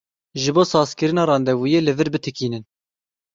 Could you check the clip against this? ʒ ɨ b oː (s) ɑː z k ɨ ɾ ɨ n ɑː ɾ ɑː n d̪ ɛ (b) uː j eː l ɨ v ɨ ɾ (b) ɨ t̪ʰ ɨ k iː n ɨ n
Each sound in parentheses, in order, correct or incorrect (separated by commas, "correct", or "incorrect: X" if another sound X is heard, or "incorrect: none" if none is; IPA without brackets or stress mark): correct, incorrect: v, correct